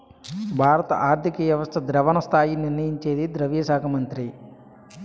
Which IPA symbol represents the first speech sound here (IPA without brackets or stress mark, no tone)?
bʱ